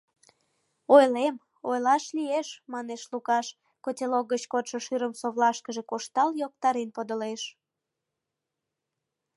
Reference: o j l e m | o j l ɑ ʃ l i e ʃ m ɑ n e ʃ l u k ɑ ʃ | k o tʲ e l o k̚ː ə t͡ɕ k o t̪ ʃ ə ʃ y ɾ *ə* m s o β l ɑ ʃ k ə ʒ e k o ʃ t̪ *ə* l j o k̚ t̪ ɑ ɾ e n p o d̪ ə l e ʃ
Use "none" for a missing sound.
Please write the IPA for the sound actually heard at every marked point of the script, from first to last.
ə, ɑ

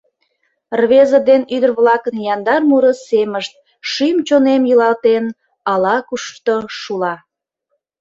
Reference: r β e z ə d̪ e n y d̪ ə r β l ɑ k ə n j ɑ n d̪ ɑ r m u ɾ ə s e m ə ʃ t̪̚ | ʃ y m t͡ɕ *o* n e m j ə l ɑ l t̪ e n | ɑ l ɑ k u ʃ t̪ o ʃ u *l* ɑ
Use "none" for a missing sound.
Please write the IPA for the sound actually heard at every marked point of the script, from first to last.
o, l

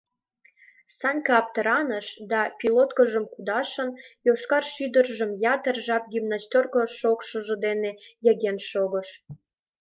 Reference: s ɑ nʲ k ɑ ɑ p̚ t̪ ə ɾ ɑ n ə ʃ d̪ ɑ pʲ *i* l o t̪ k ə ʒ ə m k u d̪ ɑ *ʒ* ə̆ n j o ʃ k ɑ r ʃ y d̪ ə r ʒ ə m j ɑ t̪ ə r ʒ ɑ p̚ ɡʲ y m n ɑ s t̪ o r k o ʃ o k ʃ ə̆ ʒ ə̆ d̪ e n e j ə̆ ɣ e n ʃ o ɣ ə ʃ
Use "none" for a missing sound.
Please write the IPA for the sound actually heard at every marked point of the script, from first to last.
i, ʃ

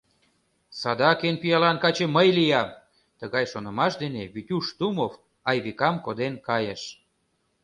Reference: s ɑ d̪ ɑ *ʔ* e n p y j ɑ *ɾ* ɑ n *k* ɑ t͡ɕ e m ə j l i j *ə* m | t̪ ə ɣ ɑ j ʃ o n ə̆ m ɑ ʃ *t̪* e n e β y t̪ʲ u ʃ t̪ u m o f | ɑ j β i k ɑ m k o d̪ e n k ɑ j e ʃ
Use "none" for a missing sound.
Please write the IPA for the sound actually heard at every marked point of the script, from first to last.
k, l, k, ɑ, d̪

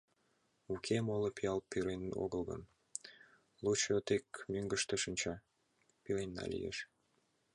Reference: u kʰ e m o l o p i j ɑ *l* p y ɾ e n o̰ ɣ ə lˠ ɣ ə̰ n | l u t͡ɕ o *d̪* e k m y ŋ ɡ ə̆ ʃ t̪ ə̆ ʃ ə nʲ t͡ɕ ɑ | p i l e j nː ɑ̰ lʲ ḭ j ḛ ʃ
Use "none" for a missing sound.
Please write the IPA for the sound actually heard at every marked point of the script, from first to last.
l, t̪

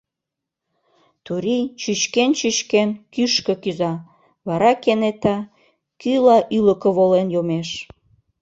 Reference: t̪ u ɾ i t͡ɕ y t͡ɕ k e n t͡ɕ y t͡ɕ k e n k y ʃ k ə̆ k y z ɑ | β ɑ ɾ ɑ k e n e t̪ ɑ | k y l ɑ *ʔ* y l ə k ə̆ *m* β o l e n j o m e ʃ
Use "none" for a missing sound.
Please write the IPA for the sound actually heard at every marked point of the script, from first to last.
ʔ, none

